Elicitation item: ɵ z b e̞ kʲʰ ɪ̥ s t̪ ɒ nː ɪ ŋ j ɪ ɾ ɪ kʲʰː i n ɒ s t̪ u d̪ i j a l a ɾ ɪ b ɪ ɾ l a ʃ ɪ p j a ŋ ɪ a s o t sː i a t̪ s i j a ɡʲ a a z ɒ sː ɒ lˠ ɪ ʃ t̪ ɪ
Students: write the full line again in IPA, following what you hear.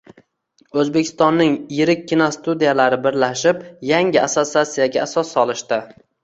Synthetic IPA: ɵ z b e̞ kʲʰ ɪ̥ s t̪ ɒ nː ɪ ŋ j ɪ ɾ ɪ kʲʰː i n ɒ s t̪ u d̪ i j a l a ɾ ɪ b ɪ ɾ l a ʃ ɪ p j a ŋ ɪ a s o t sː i a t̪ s i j a ɡʲ a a s ɒ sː ɒ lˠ ɪ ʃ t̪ ɪ